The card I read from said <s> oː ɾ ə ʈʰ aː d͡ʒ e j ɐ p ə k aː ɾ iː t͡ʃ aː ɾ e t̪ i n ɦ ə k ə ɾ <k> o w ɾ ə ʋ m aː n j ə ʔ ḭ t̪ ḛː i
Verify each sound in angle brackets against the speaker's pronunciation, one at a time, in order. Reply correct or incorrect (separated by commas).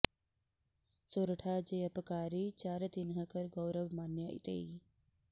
correct, incorrect